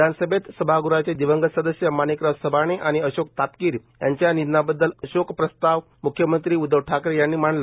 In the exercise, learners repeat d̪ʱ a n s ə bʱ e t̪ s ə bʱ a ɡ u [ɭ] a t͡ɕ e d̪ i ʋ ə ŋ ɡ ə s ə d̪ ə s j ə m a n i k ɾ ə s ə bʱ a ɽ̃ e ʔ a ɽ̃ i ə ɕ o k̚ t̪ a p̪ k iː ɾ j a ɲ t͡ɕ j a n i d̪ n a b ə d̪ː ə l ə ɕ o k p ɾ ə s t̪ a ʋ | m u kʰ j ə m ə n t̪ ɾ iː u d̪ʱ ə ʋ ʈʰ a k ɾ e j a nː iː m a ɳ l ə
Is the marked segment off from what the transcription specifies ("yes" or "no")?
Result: yes